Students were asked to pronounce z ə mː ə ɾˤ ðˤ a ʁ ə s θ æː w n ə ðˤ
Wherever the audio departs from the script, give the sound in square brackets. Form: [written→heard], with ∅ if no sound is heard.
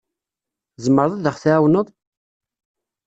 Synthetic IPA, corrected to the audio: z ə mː ə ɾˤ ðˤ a [ʁ→ð] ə [s→χ] θ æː w n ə ðˤ